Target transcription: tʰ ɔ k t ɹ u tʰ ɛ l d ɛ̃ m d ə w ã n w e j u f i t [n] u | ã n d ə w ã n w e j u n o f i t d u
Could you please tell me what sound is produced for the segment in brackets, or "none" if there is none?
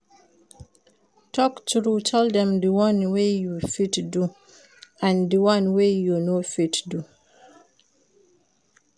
d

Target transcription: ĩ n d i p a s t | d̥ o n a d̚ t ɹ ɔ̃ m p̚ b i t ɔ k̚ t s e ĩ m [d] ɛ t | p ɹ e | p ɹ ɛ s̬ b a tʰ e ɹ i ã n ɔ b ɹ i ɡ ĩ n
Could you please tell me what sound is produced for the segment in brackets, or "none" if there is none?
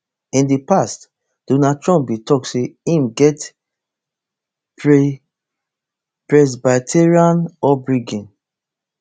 ɡ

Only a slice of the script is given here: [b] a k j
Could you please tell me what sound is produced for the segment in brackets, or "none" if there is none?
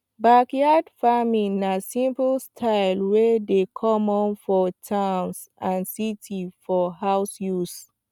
b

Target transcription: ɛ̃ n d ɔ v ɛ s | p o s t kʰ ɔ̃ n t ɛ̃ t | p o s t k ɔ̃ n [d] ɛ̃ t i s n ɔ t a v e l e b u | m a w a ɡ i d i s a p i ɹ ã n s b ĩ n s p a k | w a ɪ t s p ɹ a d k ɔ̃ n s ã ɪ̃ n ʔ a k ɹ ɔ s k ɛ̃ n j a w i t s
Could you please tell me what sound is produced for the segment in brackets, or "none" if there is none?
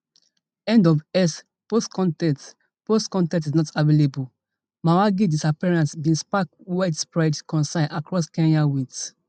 t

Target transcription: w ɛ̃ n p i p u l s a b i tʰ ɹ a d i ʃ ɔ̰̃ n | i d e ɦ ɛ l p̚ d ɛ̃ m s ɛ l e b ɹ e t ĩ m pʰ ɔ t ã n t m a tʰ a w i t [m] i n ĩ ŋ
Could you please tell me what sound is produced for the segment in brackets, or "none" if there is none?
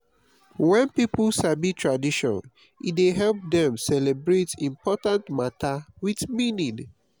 m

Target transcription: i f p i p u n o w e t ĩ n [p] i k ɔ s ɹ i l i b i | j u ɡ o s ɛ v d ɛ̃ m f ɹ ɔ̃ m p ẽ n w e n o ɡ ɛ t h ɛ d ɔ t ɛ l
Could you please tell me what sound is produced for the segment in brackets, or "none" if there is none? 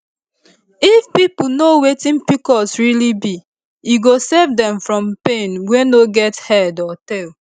p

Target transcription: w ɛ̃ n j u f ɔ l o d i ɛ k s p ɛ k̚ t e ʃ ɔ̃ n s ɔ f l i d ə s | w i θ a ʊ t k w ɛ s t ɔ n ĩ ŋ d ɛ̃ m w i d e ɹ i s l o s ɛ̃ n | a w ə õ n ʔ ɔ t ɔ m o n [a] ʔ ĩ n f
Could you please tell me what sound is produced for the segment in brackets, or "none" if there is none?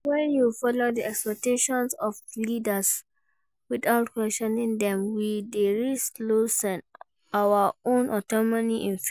i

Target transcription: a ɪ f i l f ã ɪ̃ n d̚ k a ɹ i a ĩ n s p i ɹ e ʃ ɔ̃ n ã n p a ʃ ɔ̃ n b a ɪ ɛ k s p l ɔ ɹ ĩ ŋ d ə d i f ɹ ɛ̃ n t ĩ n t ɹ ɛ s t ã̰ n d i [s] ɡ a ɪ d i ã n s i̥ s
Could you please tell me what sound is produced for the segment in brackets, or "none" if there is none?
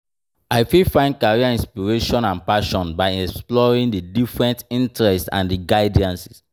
none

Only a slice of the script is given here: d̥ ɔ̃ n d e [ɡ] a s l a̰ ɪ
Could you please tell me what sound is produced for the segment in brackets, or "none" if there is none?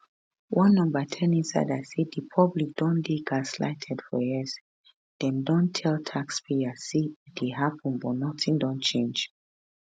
ɡ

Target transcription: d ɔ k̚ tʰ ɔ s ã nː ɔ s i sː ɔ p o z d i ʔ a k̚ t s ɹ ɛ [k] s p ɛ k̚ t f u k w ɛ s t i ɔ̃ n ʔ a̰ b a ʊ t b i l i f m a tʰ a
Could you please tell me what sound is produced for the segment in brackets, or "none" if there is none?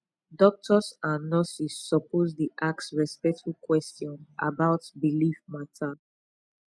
none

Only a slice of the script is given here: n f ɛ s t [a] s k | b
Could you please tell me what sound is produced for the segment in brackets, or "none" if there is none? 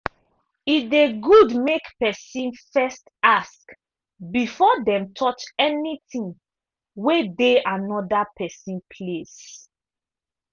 a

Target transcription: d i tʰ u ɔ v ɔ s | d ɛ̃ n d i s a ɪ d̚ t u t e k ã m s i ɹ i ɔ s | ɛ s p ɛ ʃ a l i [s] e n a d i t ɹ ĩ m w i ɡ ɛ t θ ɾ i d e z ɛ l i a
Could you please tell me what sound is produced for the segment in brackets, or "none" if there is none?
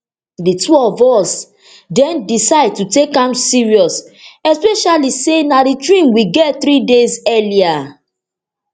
s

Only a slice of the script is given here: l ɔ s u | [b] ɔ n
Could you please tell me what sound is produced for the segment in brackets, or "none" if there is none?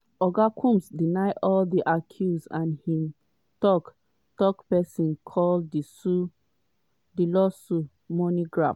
m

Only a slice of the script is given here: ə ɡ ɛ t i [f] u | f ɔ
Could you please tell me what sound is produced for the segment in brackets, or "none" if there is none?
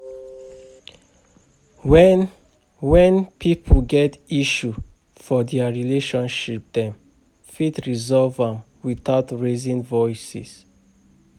ʃ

